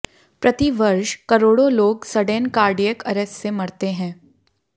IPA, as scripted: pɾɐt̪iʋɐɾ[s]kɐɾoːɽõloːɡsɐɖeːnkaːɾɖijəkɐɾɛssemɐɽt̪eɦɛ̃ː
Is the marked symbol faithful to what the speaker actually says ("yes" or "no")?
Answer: no